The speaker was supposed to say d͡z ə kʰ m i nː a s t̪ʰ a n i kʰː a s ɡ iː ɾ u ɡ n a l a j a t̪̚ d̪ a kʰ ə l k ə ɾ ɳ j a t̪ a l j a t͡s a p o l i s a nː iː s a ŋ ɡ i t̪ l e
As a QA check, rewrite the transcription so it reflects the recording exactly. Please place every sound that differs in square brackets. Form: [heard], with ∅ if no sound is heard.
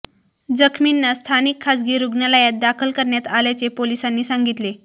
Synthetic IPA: d͡z ə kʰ m i nː a s t̪ʰ a n i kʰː a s ɡ iː ɾ u ɡ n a l a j a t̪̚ d̪ a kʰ ə l k ə ɾ ɳ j a t̪ a l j a t͡s [e] p o l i s a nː iː s a ŋ ɡ i t̪ l e